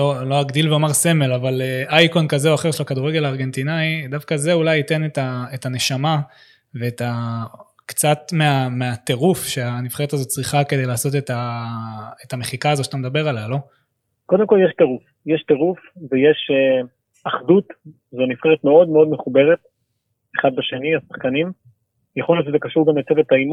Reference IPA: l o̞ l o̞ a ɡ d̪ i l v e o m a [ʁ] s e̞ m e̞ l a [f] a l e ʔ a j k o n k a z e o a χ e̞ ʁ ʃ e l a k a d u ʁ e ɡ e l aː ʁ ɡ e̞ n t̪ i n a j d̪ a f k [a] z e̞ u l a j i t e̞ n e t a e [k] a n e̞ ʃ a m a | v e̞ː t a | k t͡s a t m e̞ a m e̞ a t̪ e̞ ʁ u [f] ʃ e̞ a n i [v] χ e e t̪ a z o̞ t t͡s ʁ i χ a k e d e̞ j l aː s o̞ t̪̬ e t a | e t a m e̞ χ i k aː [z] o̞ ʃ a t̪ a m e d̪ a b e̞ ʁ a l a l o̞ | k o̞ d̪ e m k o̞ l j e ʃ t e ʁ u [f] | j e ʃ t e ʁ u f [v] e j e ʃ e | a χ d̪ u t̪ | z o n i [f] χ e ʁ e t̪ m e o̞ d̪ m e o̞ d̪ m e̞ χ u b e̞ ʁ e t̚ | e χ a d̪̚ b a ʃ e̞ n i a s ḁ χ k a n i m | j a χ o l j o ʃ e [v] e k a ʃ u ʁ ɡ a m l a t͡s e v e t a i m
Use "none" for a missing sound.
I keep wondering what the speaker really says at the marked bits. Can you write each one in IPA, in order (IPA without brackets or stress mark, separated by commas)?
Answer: ʁ, v, a, t, f, f, z, f, v, f, z